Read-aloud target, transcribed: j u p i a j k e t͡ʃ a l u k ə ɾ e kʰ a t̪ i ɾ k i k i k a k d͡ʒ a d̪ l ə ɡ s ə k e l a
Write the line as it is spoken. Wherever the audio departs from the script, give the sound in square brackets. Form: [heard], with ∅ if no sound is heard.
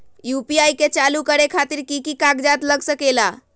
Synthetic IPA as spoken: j u p i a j k e t͡ʃ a l u k ə ɾ e kʰ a t̪ i ɾ k i k i k a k d͡ʒ a [t̪] l ə ɡ s ə k e l a